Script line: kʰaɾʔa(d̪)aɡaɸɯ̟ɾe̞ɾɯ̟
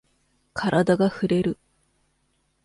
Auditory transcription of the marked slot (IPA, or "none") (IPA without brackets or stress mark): d̪